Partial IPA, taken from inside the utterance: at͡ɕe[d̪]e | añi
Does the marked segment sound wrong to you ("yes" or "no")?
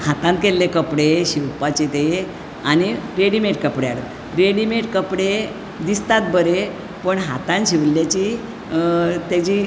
yes